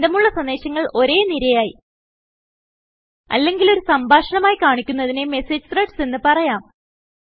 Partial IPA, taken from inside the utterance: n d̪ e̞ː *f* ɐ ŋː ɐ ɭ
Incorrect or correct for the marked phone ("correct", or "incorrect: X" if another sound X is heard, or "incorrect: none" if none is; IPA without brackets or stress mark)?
incorrect: ɕ